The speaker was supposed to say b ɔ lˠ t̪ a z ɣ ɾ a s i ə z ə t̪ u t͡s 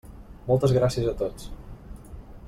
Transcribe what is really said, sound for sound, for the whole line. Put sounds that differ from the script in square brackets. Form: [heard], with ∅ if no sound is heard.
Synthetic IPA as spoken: [m] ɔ lˠ t̪ [ə] z ɣ ɾ a s i ə z ə t̪ [o] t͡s